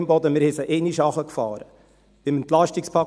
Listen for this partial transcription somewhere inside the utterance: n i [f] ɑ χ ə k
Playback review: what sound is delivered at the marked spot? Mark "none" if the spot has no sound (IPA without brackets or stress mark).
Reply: ʃ